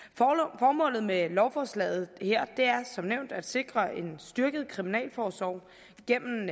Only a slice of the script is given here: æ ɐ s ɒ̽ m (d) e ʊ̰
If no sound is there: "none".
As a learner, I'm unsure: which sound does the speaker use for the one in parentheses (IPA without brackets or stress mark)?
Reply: n